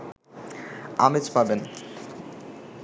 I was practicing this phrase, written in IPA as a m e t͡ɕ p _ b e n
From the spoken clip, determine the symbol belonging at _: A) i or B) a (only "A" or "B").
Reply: B